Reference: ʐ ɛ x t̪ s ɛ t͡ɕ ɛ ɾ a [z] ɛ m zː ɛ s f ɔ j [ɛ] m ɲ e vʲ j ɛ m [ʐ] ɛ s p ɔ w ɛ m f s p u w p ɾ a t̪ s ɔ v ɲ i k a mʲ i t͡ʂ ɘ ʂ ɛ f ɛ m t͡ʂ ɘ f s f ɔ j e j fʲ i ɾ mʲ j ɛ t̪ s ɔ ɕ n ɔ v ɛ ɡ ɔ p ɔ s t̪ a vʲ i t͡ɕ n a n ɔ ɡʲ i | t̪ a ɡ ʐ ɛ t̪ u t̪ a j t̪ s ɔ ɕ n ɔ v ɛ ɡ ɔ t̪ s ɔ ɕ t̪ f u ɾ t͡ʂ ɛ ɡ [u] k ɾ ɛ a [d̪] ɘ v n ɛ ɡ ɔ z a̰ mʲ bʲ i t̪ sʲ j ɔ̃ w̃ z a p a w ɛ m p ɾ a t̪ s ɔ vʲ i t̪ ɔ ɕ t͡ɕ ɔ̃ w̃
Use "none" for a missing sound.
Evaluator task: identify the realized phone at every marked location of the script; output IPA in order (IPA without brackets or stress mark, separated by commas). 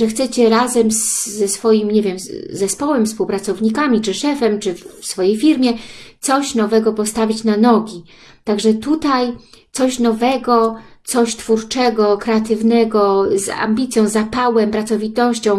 z, i, z, ɔ, t̪